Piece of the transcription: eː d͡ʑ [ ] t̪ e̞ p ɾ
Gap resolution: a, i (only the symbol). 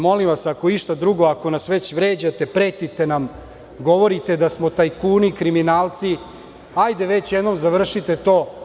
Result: a